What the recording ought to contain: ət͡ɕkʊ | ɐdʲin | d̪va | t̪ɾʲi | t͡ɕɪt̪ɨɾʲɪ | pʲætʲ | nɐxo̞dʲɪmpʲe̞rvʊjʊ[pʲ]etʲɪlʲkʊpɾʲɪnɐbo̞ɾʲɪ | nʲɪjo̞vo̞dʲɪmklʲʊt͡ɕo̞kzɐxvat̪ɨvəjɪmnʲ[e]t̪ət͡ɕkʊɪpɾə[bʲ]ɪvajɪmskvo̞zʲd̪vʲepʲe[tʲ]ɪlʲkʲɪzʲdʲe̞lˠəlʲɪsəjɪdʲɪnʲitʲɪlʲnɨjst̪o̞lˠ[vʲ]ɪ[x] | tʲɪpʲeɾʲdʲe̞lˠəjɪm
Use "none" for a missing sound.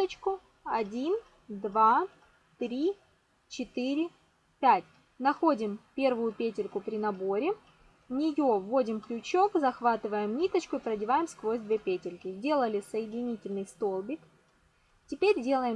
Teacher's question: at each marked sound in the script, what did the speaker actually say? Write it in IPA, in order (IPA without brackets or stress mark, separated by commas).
pʲ, i, dʲ, tʲ, bʲ, k